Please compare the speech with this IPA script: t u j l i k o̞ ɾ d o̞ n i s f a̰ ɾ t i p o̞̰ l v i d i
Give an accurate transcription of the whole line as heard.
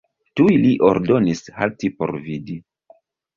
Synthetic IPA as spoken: t u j l i ʔ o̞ ɾ d o̞ n i s h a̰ l t i p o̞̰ ɾ v i d i